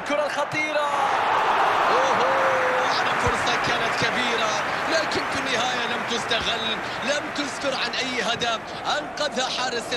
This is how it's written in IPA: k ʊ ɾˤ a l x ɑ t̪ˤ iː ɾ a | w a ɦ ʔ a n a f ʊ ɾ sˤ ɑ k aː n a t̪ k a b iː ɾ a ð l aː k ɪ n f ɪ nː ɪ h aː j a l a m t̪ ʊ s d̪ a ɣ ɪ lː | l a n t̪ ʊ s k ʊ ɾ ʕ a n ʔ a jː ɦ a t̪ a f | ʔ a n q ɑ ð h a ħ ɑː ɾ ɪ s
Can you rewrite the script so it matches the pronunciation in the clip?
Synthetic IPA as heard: k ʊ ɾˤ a l x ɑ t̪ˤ iː ɾ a | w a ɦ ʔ a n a f ʊ ɾ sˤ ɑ k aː n a t̪ k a b iː ɾ a l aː k ɪ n f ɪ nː ɪ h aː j a l a m t̪ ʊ s t̪ a ɣ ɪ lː | l a m t̪ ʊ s k ʊ ɾ ʕ a n ʔ a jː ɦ a d̪ a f | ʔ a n q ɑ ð h a ħ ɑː ɾ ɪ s

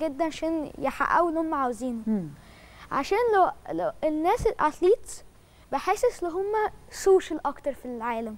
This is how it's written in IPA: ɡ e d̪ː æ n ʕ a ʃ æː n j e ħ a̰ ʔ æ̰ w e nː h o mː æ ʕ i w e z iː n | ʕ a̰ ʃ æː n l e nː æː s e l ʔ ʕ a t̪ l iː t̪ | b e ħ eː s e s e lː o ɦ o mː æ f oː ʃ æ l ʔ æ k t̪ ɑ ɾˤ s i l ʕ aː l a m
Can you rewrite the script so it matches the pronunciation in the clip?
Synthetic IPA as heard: ɡ e d̪ː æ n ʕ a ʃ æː n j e ħ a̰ ʔ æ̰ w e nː h o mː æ ʕ a w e z iː n | ʕ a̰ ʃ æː n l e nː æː s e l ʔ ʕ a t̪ l iː t̪ | b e ħ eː s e s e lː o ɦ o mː æ s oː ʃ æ l ʔ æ k t̪ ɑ ɾˤ f i l ʕ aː l æ m

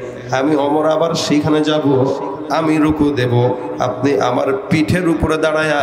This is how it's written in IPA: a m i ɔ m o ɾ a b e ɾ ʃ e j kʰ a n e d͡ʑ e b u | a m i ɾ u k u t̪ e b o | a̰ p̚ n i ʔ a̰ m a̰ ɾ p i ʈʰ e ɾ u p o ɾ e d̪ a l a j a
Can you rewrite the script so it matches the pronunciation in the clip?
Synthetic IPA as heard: a m i ɔ m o ɾ a b a ɾ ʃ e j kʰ a n e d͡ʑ a b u | a m i ɾ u k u d̪ e b o | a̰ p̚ n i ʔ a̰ m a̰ ɾ p i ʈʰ e ɾ u p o ɾ e d̪ a ɽ a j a

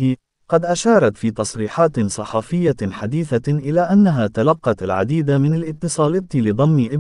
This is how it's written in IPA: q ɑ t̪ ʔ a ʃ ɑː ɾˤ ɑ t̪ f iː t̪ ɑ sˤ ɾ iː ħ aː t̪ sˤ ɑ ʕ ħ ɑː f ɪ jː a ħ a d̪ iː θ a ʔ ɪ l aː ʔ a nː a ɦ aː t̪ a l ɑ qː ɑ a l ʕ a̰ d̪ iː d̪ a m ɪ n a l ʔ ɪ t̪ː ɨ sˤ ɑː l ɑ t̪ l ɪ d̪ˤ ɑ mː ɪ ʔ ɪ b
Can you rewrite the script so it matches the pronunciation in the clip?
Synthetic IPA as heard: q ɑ d̪ ʔ a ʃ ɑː ɾˤ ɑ t̪ f iː t̪ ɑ sˤ ɾ iː ħ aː t̪ sˤ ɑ ħ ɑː f ɪ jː a ħ a d̪ iː θ a ʔ ɪ l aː ʔ a nː a ɦ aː t̪ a l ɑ qː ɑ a l ʕ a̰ d̪ iː d̪ a m ɪ n a l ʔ ɪ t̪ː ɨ sˤ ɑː l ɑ t̪ l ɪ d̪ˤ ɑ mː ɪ ʔ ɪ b

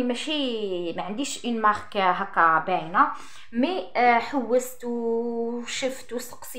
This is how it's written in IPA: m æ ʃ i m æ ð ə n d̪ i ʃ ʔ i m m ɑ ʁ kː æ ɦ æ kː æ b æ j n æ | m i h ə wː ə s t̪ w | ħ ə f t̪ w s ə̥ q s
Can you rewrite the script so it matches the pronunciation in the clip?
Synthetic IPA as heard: m æ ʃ i m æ ʕ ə n d̪ i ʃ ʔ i n m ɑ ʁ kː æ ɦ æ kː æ b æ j n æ | m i ħ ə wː ə s t̪ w | ʃ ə f t̪ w s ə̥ q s

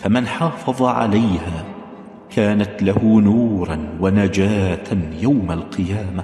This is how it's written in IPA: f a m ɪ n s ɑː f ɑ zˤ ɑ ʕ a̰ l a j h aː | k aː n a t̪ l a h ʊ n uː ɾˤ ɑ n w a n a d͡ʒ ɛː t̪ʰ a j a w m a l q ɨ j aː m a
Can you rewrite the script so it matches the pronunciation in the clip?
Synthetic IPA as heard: f a m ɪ n ħ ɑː f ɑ ðˤ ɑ ʕ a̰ l a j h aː | k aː n a t̪ l a h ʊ n uː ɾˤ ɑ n w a n a d͡ʒ aː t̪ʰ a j a w m a l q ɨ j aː m a

